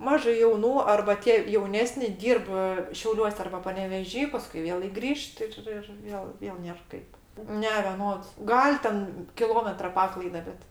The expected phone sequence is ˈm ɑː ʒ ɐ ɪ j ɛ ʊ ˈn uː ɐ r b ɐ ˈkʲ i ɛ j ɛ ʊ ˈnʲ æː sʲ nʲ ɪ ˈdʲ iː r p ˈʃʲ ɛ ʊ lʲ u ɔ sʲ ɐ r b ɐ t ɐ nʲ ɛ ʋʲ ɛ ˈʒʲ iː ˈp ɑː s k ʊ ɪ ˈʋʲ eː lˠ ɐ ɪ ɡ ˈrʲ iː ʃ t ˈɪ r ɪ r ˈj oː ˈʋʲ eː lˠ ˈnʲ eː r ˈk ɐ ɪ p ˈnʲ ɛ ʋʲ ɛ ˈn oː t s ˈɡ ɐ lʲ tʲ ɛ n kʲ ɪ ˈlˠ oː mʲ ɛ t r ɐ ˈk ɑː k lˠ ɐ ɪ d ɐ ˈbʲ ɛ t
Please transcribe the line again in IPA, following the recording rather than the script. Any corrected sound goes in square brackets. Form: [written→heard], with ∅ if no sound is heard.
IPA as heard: ˈm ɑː ʒ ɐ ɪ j ɛ ʊ ˈn uː ɐ r b ɐ [ˈkʲ→ˈtʲ] i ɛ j ɛ ʊ ˈnʲ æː sʲ nʲ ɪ ˈdʲ iː r p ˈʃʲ ɛ ʊ lʲ u ɔ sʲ ɐ r b ɐ [t→p] ɐ nʲ ɛ ʋʲ ɛ ˈʒʲ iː ˈp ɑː s k ʊ ɪ ˈʋʲ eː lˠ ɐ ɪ ɡ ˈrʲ iː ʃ t ˈɪ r ɪ r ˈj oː ˈʋʲ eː lˠ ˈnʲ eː r ˈk ɐ ɪ p ˈnʲ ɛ ʋʲ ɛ ˈn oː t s ˈɡ ɐ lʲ tʲ ɛ n kʲ ɪ ˈlˠ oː mʲ ɛ t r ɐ [ˈk→ˈp] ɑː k lˠ ɐ ɪ d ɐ ˈbʲ ɛ t